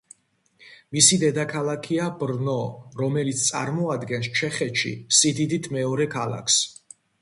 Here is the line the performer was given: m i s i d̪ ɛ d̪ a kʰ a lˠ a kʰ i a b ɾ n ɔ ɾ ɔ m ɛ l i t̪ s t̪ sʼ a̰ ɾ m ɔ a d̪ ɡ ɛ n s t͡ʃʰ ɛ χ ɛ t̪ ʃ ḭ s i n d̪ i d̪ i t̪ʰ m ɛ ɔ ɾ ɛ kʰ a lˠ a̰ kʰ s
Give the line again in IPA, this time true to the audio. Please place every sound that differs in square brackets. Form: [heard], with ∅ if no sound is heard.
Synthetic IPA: m i s i d̪ ɛ d̪ a kʰ a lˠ a kʰ i a b ɾ n ɔ ɾ ɔ m ɛ l i t̪ s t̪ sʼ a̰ ɾ m ɔ a d̪ ɡ ɛ n s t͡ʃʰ ɛ χ ɛ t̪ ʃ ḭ s i [∅] d̪ i d̪ i t̪ʰ m ɛ ɔ ɾ ɛ kʰ a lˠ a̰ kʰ s

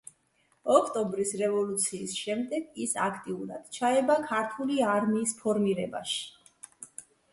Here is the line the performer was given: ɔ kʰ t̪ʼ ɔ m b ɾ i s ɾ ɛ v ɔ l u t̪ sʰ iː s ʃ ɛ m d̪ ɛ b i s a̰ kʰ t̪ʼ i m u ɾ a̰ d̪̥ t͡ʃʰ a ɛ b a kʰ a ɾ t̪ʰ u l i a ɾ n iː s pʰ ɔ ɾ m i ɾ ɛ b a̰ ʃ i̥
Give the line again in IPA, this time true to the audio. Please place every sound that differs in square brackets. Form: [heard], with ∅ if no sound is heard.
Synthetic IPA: ɔ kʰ t̪ʼ ɔ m b ɾ i s ɾ ɛ v ɔ l u t̪ sʰ iː s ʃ ɛ m d̪ ɛ [ɡ] i s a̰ kʰ t̪ʼ i [∅] u ɾ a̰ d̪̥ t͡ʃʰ a ɛ b a kʰ a ɾ t̪ʰ u l i a ɾ [m] iː s pʰ ɔ ɾ m i ɾ ɛ b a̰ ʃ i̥

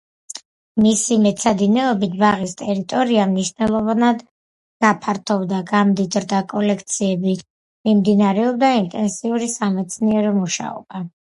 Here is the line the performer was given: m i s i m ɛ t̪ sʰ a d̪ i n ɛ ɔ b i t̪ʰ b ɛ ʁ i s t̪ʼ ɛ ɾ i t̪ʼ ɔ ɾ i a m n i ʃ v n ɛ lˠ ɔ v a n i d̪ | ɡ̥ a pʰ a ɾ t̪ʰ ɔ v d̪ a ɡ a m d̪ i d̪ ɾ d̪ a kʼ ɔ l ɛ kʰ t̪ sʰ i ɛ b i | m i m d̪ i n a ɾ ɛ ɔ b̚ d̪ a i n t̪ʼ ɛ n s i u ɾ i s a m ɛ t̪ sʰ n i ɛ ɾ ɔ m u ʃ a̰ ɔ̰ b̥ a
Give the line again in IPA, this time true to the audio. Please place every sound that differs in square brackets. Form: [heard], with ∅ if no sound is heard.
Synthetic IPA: m i s i m ɛ t̪ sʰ a d̪ i n ɛ ɔ b i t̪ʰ b [a] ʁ i s t̪ʼ ɛ ɾ i t̪ʼ ɔ ɾ i a m n i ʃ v n ɛ lˠ ɔ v a n [a] d̪ | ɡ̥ a pʰ a ɾ t̪ʰ ɔ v d̪ a ɡ a m d̪ i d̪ ɾ d̪ a kʼ ɔ l ɛ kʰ t̪ sʰ i ɛ b i | m i m d̪ i n a ɾ ɛ ɔ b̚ d̪ a i n t̪ʼ ɛ n s i u ɾ i s a m ɛ t̪ sʰ n i ɛ ɾ ɔ m u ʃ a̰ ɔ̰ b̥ a

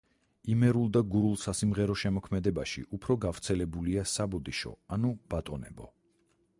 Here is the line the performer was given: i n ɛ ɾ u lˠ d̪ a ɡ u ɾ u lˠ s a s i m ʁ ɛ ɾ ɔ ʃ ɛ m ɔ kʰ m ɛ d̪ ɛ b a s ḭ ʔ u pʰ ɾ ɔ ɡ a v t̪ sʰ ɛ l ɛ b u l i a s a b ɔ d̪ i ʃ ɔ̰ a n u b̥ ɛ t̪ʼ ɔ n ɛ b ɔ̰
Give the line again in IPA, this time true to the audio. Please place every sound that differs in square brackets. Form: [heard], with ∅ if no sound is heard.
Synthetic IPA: i [m] ɛ ɾ u lˠ d̪ a ɡ u ɾ u lˠ s a s i m ʁ ɛ ɾ ɔ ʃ ɛ m ɔ kʰ m ɛ d̪ ɛ b a [ʃ] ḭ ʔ u pʰ ɾ ɔ ɡ a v t̪ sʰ ɛ l ɛ b u l i a s a b ɔ d̪ i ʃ ɔ̰ a n u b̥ [a] t̪ʼ ɔ n ɛ b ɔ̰

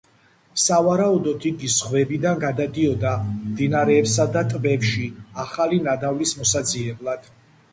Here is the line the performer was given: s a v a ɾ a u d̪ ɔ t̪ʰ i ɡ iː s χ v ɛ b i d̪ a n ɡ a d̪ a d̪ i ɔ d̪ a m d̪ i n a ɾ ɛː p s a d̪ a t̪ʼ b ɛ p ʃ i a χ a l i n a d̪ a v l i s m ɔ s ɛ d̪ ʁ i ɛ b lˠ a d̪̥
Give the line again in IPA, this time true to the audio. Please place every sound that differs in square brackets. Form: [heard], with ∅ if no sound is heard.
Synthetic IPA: s a v a ɾ a u d̪ ɔ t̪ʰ i ɡ [i] s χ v ɛ b i d̪ a n ɡ a d̪ a d̪ i ɔ d̪ a m d̪ i n a ɾ ɛː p s a d̪ a t̪ʼ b ɛ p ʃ i a χ a l i n a d̪ a v l i s m ɔ s [a] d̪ [z] i ɛ b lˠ a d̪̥

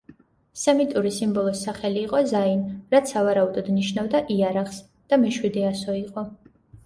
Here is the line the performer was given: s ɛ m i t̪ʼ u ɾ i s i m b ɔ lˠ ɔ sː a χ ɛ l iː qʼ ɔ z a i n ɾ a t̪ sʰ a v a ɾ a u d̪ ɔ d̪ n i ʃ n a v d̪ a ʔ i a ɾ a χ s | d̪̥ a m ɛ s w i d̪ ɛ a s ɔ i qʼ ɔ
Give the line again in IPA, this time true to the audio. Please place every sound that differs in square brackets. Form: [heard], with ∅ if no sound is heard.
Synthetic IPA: s ɛ m i t̪ʼ u ɾ i s i m b ɔ lˠ ɔ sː a χ ɛ l iː qʼ ɔ z a i n ɾ a t̪ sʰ a v a ɾ a u d̪ ɔ d̪ n i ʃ n a v d̪ a ʔ i a ɾ a χ s | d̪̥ a m ɛ [ʃ] w i d̪ ɛ a s ɔ i qʼ ɔ

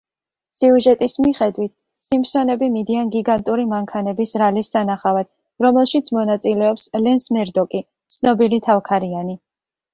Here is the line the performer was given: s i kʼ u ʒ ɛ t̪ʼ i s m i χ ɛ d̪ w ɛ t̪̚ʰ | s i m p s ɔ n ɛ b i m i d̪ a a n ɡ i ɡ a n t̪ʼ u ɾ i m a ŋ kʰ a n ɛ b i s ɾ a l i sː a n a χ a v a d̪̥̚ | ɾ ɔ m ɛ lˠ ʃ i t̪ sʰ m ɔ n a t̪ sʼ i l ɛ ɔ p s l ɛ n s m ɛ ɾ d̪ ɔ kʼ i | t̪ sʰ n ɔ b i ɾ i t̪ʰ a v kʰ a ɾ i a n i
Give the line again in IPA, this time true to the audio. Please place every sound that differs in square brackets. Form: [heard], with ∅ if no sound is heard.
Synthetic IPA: s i [∅] u ʒ ɛ t̪ʼ i s m i χ ɛ d̪ w [i] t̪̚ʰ | s i m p s ɔ n ɛ b i m i d̪ [i] a n ɡ i ɡ a n t̪ʼ u ɾ i m a ŋ kʰ a n ɛ b i s ɾ a l i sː a n a χ a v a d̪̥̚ | ɾ ɔ m ɛ lˠ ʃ i t̪ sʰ m ɔ n a t̪ sʼ i l ɛ ɔ p s l ɛ n s m ɛ ɾ d̪ ɔ kʼ i | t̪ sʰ n ɔ b i [l] i t̪ʰ a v kʰ a ɾ i a n i

